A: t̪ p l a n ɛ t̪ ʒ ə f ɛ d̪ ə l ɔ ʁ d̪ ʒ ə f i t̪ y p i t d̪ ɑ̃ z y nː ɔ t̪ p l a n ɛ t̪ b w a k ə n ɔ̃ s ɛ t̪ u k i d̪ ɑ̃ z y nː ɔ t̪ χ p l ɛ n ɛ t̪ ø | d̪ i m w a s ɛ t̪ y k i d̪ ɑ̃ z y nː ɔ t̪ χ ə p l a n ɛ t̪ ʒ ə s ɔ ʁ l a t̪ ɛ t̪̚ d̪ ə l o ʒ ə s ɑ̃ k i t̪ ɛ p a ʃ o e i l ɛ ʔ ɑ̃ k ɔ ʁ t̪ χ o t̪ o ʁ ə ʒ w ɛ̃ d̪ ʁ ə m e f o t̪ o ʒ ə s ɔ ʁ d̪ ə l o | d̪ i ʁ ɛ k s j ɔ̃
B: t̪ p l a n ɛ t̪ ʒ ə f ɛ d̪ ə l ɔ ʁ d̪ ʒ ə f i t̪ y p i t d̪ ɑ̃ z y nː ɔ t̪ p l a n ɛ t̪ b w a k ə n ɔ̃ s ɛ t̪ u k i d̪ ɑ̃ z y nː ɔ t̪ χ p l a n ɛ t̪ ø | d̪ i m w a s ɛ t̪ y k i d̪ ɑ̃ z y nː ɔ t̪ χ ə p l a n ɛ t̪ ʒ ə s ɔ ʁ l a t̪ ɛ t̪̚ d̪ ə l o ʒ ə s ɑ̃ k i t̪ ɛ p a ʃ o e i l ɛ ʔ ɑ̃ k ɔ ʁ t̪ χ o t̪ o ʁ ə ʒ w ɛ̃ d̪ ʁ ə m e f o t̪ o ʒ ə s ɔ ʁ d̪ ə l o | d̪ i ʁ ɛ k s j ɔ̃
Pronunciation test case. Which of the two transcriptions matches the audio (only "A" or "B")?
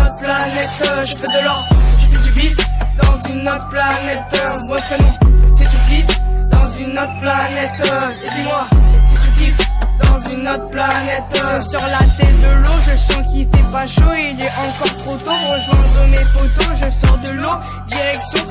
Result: B